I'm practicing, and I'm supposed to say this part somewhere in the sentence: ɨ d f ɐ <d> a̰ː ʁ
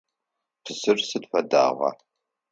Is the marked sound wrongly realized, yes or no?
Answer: no